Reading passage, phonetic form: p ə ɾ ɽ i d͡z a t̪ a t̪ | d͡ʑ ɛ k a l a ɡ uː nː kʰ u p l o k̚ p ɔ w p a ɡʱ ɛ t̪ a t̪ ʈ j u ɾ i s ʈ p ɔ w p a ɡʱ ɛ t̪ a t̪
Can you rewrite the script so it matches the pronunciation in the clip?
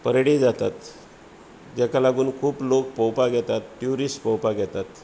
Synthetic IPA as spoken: p ə ɾ ɽ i d͡z a t̪ a t̪ | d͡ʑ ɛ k a l a ɡ uː n kʰ uː p l o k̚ p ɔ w p a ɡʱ ɛ t̪ a t̪ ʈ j u ɾ i s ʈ p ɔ w p a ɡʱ ɛ t̪ a t̪